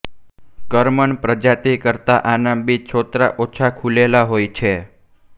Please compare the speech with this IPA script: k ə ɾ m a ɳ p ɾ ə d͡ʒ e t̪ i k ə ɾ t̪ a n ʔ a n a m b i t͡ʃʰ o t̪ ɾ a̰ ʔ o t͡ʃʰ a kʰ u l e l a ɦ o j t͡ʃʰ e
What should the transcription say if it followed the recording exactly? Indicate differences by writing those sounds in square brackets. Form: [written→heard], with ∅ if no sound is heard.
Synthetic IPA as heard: k ə ɾ m [a→ə] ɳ p ɾ ə d͡ʒ [e→a] t̪ i k ə ɾ t̪ a [n→∅] ʔ a n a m b i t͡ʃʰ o t̪ ɾ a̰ ʔ o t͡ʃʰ a kʰ u l e l a ɦ o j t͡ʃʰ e